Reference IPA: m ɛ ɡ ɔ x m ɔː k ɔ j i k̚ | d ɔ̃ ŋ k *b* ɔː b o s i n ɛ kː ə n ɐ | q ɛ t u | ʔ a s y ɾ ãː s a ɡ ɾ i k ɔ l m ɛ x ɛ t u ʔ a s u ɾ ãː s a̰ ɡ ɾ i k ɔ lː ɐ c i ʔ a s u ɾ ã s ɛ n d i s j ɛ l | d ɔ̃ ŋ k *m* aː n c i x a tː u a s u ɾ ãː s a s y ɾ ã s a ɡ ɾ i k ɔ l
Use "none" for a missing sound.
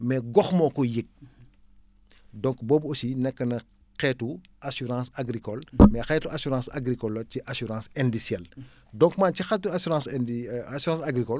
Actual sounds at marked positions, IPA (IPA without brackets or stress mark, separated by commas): b, m